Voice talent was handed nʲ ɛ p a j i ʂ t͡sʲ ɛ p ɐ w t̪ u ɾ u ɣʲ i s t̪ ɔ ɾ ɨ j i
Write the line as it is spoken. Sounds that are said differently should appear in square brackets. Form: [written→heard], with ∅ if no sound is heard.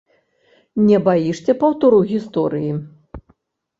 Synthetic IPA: nʲ ɛ [p→b] a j i ʂ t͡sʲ ɛ p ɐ w t̪ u ɾ u ɣʲ i s t̪ ɔ ɾ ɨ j i